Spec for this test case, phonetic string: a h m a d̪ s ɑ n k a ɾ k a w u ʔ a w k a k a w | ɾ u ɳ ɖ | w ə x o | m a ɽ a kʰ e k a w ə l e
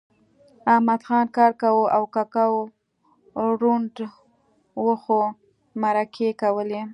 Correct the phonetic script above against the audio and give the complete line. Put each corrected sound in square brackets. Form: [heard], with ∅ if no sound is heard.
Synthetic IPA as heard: a h m a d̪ [x] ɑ n k [ɑ] ɾ k a w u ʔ a w k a k a w | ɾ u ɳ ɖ | w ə x o | m a [ɾ] a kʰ e k a w ə l e